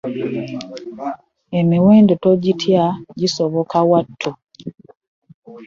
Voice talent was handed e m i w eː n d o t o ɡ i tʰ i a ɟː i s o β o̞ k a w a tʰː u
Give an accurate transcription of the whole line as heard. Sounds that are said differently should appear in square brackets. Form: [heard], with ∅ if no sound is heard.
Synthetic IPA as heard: e m i w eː n d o t o [ɟ] i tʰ [j] a [ɟ] i s o β o̞ k a w a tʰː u